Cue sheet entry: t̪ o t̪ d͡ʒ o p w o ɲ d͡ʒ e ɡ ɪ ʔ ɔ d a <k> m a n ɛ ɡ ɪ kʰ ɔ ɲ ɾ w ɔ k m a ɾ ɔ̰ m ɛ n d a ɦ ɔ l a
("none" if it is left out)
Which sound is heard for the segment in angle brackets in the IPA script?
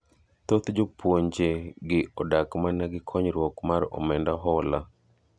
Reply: k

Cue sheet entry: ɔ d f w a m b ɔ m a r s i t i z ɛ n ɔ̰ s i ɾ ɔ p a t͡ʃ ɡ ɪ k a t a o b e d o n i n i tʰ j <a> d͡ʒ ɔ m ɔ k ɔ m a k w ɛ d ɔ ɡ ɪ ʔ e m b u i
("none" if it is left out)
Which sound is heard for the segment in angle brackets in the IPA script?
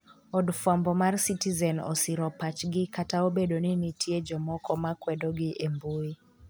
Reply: e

